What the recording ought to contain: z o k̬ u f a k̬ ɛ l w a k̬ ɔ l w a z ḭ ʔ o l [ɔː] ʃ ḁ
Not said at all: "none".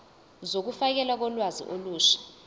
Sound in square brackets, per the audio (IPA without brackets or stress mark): uː